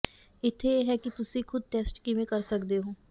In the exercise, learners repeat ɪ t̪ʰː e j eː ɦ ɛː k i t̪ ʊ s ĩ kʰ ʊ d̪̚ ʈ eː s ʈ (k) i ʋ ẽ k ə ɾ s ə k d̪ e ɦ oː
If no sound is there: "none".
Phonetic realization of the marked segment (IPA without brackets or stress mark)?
k